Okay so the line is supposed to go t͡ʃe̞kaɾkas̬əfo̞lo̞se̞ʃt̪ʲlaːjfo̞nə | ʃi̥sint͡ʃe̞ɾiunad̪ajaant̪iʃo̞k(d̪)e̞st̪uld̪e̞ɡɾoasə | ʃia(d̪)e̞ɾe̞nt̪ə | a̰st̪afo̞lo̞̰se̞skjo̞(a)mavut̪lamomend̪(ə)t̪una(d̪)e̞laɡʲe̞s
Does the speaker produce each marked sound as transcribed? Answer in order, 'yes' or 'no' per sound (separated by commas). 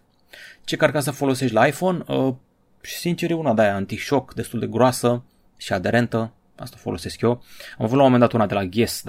yes, yes, yes, no, yes